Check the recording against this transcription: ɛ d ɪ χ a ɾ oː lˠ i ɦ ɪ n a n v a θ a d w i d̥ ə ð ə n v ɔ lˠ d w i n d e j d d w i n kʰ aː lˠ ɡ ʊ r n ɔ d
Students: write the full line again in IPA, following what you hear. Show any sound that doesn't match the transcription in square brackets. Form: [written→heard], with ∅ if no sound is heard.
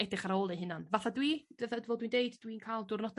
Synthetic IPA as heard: ɛ d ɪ χ a ɾ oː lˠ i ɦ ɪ n a n v a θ a d w i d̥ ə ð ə [n→d] v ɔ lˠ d w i n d e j d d w i n kʰ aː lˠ [ɡ→d] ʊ r n ɔ d